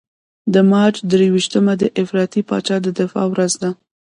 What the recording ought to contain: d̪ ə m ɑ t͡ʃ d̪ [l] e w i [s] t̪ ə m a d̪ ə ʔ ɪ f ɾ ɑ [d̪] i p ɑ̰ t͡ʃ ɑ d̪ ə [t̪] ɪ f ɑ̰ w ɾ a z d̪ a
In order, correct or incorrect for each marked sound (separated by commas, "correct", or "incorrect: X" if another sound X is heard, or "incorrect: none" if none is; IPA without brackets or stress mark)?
incorrect: ɾ, incorrect: ʃ, incorrect: t̪, incorrect: d̪